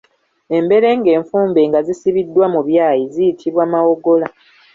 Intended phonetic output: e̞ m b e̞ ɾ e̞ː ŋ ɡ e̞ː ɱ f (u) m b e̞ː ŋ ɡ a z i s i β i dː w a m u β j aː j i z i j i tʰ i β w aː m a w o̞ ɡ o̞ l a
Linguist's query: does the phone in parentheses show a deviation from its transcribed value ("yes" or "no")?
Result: yes